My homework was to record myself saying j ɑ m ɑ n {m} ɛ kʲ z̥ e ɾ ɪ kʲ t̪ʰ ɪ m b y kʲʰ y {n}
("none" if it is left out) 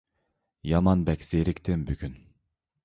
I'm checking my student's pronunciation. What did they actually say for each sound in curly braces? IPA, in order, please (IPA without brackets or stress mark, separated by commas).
b, n